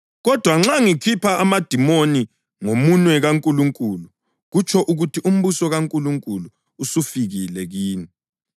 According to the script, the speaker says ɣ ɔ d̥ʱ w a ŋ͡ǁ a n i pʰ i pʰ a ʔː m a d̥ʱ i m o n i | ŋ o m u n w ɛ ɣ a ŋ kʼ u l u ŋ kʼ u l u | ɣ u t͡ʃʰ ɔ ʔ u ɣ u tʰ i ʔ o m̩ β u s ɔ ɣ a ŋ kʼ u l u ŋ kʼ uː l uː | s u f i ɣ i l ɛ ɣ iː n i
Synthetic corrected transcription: ɣ ɔ d̥ʱ w a ŋ͡ǁ a ŋ i kʰ i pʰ a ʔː m a d̥ʱ i m o n i | ŋ o m u n w ɛ ɣ a ŋ kʼ u l u ŋ kʼ u l u | ɣ u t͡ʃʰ ɔ ʔ u ɣ u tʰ i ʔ u m̩ β u s ɔ ɣ a ŋ kʼ u l u ŋ kʼ u l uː | s u f i ɣ i l ɛ ɣ iː n i